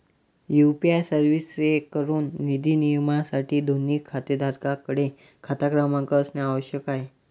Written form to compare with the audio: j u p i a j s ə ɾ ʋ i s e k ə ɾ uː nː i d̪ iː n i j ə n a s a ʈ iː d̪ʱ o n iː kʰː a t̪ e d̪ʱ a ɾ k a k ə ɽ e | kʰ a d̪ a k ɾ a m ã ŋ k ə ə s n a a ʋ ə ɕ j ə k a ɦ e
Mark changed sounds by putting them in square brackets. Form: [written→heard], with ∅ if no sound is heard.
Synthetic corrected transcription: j u p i a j s ə ɾ ʋ i s e k ə ɾ uː nː i d̪ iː n i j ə [n→m] a s a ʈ iː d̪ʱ o n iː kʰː a t̪ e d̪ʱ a ɾ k a k ə ɽ e | kʰ a [d̪→t̪] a k ɾ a m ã ŋ k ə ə s n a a ʋ ə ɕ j ə k a ɦ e